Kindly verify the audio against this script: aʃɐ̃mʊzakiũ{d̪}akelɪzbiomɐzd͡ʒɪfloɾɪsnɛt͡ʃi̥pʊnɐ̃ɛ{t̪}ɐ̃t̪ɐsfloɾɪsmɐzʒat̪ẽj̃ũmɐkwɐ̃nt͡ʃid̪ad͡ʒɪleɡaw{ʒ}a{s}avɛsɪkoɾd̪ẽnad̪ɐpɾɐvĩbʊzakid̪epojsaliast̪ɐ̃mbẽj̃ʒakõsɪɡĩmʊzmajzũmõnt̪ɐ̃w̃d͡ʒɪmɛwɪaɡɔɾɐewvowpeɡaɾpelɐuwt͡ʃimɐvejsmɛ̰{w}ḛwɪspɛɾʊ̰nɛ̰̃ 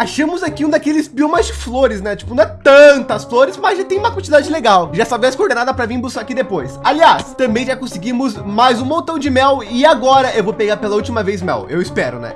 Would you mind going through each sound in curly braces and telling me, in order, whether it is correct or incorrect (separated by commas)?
correct, correct, correct, correct, correct